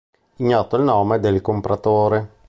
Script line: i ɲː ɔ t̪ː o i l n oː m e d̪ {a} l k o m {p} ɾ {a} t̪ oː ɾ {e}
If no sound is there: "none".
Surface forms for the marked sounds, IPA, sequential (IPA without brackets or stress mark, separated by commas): e, p, a, e